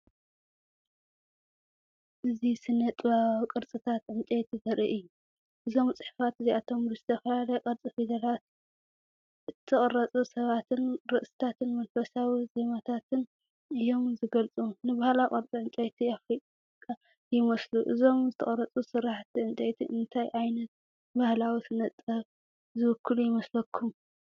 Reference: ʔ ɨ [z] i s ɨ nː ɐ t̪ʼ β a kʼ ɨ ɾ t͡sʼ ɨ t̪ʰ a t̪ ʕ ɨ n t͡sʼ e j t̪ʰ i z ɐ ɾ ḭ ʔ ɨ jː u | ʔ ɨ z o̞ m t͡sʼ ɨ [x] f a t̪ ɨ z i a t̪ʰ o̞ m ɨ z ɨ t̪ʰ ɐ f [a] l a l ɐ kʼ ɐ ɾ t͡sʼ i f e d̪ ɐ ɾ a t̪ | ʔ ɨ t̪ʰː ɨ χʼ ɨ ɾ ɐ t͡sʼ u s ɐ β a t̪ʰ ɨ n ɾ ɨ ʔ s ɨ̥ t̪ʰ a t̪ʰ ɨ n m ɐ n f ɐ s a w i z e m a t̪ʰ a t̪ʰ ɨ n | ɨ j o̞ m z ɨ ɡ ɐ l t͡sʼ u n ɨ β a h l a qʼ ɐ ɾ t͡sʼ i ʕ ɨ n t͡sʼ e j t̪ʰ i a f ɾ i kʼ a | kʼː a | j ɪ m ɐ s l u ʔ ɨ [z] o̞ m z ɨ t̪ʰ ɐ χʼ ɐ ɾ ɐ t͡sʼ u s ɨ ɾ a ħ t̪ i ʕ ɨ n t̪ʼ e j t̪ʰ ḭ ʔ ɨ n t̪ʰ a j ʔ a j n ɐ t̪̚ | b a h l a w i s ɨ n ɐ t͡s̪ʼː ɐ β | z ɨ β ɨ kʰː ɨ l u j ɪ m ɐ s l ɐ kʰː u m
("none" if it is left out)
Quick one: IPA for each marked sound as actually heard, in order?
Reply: z, ħ, ɐ, z

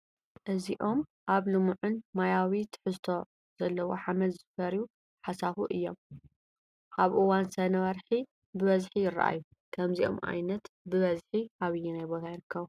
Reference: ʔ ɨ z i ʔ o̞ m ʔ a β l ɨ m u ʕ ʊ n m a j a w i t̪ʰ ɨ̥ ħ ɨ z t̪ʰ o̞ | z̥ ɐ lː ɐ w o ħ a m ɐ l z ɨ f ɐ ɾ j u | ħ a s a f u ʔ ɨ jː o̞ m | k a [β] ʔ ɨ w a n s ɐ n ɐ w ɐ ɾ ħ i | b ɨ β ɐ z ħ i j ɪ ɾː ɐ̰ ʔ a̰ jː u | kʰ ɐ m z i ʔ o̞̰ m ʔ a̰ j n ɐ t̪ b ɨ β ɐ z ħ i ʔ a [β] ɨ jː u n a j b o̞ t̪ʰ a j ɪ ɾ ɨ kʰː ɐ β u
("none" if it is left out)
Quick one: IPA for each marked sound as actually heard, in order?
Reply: β, β

